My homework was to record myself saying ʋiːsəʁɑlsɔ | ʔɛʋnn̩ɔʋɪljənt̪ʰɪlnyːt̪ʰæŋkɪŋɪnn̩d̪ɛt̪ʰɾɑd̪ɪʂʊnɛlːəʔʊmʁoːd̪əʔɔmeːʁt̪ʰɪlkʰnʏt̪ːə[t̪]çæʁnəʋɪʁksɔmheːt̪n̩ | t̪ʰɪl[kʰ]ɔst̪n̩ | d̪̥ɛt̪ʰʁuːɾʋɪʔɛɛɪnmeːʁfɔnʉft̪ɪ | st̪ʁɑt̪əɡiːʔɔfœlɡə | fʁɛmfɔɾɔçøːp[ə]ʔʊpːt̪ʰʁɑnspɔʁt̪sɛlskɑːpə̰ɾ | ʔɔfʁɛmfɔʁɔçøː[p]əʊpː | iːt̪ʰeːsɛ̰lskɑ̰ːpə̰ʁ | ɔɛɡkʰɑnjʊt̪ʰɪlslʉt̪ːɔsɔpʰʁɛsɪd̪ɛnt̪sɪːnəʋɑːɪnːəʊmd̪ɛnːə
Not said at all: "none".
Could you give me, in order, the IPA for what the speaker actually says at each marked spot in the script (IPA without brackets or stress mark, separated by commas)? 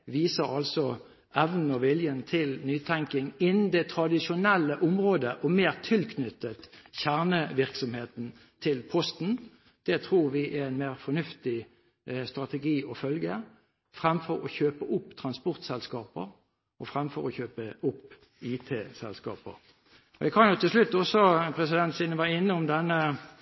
t̪, pʰ, ə, p